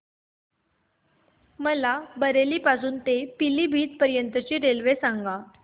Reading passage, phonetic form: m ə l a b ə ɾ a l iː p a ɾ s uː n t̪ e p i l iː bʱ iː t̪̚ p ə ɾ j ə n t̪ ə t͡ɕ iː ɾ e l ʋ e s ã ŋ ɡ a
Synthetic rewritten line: m ə l a b ə ɾ e l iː p a s uː n t̪ e p i l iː bʱ iː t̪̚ p ə ɾ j ə n t̪ ə t͡ɕ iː ɾ e l ʋ e s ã ŋ ɡ a

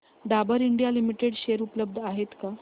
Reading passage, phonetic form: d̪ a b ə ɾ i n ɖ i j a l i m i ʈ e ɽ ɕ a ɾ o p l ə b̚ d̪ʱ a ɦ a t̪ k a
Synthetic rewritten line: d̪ a b ə ɾ i ɳ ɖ i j a l i m i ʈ e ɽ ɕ e ɾ u p l ə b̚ d̪ʱ a ɦ e t̪ k a

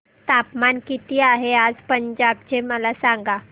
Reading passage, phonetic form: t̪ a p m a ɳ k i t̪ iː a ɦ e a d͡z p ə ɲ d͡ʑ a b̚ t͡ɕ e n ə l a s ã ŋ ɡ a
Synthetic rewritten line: t̪ a p m a n k i t̪ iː a ɦ e a d͡z p ə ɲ d͡ʑ a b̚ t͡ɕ e m ə l a s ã ŋ ɡ a

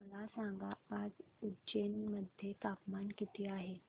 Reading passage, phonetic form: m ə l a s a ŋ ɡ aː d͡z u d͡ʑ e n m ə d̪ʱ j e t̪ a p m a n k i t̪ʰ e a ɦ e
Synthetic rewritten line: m ə l a s a ŋ ɡ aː d͡z u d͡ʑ e n m ə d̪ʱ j e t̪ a p m a n k i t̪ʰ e a ɦ e

